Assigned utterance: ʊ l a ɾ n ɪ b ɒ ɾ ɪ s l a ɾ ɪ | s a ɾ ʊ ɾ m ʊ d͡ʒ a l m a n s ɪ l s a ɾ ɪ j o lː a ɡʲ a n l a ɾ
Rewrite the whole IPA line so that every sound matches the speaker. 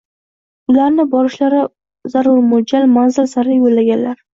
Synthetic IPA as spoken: ʊ l a ɾ n ɪ b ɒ ɾ ɪ ʃ l a ɾ ɪ | z a ɾ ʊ ɾ m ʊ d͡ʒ a l m a n z ɪ l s a ɾ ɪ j o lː a ɡʲ a n l a ɾ